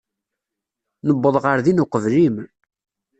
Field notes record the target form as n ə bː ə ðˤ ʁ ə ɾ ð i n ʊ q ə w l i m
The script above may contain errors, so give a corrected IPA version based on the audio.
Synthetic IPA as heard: n ə bː ə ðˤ ʁ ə ɾ ð i n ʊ q ə v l i m